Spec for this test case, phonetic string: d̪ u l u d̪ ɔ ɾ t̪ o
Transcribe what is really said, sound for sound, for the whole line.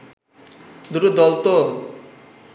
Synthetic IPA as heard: d̪ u ɾ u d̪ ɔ l t̪ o